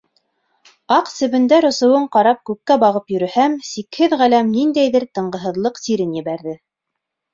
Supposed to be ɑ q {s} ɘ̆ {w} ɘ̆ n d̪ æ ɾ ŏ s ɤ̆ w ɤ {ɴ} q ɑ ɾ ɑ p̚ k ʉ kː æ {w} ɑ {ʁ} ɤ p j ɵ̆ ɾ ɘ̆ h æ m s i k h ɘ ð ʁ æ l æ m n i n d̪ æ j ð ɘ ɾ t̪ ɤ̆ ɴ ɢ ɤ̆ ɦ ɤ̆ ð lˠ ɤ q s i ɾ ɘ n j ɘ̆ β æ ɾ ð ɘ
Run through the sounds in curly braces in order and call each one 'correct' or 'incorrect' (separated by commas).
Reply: correct, incorrect, correct, incorrect, correct